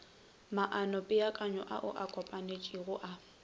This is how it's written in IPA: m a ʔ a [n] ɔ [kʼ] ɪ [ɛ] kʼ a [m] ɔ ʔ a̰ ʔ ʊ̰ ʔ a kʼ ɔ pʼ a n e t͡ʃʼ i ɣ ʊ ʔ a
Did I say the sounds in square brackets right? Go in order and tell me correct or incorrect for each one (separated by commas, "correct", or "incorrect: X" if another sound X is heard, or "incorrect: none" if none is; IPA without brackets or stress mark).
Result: correct, incorrect: pʼ, incorrect: a, incorrect: ɲ